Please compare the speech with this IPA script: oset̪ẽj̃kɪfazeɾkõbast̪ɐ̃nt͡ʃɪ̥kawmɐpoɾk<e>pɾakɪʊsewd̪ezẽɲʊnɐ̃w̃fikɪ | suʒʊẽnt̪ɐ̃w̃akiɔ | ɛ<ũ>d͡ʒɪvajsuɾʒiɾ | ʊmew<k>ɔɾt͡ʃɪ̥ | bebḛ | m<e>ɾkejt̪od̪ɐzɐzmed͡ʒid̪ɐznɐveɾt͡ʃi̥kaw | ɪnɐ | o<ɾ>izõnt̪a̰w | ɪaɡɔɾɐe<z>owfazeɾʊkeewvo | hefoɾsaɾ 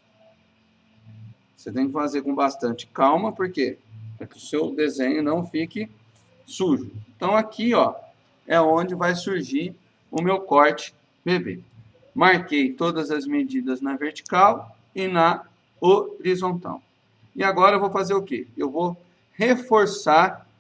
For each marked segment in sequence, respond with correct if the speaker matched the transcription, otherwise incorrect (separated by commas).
correct, incorrect, correct, incorrect, correct, incorrect